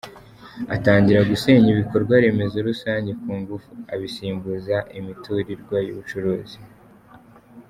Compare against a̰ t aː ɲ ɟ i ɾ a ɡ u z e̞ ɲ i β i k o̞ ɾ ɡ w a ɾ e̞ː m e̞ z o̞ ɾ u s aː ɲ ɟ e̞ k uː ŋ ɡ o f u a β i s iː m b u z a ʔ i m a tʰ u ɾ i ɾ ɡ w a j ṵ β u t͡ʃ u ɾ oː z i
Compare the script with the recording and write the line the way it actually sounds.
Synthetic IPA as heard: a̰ t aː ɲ ɟ i ɾ a ɡ u s e̞ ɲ i β i k o̞ ɾ ɡ w a ɾ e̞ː m e̞ z o̞ ɾ u s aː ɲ ɟ e̞ k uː ŋ ɡ u f u a β i s iː m b u z a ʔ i m i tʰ u ɾ i ɾ ɡ w a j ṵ β u t͡ʃ u ɾ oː z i